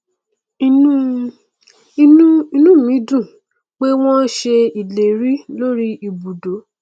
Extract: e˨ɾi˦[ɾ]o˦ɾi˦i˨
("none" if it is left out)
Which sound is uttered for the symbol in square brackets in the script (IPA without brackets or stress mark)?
l